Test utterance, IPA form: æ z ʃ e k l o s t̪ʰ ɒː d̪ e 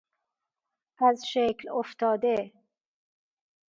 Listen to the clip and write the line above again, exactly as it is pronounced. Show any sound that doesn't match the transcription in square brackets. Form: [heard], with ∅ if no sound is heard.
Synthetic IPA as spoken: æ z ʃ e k l o [f] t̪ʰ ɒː d̪ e